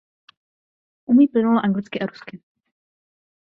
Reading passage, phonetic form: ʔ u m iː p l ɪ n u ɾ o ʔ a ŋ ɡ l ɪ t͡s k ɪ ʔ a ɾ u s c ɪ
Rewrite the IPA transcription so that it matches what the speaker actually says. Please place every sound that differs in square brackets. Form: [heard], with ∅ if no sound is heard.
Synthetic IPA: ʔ u m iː p l ɪ n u [l] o ʔ a ŋ ɡ l ɪ t͡s k ɪ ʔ a ɾ u s [k] ɪ